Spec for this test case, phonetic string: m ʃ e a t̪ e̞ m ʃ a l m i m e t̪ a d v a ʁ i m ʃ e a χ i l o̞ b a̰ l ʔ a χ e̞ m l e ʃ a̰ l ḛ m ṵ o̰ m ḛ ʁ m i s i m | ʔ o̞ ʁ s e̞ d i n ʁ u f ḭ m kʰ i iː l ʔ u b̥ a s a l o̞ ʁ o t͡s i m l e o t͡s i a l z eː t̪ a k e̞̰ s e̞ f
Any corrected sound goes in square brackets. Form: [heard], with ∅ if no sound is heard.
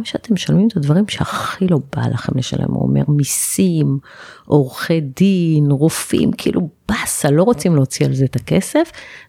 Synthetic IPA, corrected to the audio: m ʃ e a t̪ e̞ m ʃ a l m i m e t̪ a d v a ʁ i m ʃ e a χ i l o̞ b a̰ l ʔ a χ e̞ m l e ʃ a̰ l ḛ m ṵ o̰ m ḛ ʁ m i s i m | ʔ o̞ ʁ [χ] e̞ d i n ʁ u f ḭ m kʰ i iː l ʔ u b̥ a s a l o̞ ʁ o t͡s i m l e o t͡s i a l z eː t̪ a k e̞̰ s e̞ f